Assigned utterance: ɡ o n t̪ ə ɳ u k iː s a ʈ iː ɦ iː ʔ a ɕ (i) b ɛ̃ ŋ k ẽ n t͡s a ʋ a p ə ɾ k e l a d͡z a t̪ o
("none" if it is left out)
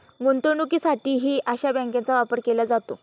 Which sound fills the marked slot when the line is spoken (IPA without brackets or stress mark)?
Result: a